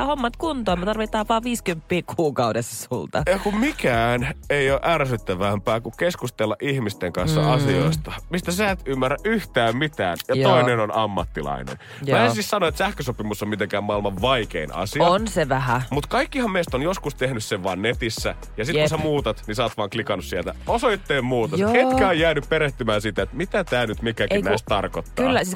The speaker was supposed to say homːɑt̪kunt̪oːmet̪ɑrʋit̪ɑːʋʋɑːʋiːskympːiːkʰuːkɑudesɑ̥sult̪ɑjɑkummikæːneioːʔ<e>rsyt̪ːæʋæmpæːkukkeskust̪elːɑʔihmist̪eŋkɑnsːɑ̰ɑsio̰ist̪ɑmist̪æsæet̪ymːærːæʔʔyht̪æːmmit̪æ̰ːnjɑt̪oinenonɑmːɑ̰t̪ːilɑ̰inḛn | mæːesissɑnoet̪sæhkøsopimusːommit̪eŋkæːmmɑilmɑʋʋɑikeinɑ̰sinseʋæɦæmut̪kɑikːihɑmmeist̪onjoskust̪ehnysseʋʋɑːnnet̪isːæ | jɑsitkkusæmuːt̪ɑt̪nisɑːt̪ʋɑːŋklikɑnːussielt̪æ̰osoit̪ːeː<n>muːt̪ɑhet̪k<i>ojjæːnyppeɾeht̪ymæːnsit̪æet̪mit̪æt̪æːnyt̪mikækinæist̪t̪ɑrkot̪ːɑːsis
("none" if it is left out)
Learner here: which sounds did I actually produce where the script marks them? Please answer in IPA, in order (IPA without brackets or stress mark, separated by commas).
æ, m, æ